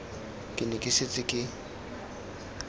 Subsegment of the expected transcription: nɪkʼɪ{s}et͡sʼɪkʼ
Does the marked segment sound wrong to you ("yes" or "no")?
no